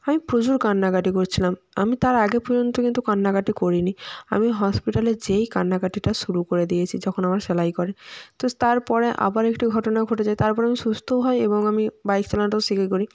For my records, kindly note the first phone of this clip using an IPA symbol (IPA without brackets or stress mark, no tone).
a